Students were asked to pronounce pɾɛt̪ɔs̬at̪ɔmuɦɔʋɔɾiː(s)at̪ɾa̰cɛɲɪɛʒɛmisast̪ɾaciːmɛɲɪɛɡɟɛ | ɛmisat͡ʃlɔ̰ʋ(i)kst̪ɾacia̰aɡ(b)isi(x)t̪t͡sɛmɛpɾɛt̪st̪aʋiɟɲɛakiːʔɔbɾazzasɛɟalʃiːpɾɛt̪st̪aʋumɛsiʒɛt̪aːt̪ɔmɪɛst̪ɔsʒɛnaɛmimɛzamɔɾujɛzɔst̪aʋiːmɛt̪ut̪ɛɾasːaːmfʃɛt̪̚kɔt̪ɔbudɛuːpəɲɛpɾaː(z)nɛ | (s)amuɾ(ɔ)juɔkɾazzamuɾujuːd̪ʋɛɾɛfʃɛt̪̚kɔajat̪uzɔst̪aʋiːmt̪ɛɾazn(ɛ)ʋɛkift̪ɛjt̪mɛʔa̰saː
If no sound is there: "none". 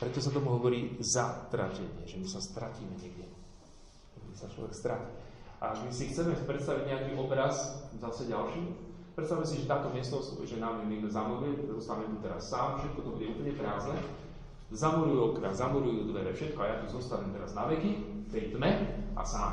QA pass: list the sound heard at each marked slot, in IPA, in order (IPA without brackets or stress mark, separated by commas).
z, ɛ, m, x, z, z, u, a